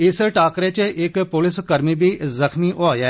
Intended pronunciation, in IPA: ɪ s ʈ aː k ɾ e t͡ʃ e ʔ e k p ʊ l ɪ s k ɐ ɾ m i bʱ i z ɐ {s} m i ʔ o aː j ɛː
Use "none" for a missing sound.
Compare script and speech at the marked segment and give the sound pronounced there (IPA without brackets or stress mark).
x